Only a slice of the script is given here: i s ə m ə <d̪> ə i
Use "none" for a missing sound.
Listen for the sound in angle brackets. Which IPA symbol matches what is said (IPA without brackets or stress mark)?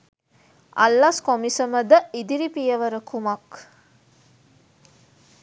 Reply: d̪